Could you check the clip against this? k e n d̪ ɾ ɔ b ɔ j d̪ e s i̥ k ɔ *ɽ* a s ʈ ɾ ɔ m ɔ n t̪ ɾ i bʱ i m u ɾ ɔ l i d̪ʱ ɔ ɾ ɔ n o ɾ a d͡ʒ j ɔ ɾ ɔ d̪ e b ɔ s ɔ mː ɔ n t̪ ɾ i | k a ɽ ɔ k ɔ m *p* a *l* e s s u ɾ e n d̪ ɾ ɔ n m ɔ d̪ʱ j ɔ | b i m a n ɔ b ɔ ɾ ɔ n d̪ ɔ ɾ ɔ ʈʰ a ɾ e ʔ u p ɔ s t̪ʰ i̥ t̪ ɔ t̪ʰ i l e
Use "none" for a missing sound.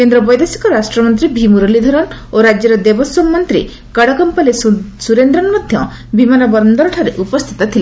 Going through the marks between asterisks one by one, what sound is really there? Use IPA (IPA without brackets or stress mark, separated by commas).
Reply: ɾ, p, l